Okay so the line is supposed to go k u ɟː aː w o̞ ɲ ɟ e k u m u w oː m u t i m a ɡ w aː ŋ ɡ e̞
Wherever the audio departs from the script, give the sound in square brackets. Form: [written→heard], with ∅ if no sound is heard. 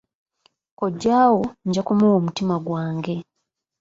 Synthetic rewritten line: k [u→o] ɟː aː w o̞ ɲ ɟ [e→a] k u m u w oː m u t i m a ɡ w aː ŋ ɡ e̞